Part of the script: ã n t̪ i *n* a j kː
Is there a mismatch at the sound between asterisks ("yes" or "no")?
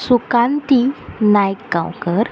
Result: no